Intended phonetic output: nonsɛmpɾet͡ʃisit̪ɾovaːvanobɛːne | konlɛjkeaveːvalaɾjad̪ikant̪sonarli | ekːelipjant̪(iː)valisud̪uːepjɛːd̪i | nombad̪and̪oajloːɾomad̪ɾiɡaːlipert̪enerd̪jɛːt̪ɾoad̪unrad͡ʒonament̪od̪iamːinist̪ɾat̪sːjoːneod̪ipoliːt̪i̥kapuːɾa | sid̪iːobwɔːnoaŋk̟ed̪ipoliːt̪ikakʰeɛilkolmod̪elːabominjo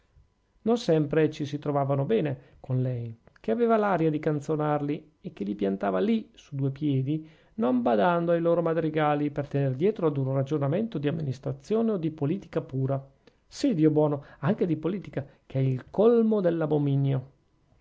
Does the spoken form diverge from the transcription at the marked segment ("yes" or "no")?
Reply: yes